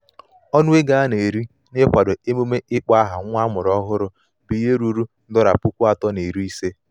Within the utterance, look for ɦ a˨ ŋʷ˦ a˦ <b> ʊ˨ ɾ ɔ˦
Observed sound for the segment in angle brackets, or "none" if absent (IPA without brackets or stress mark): m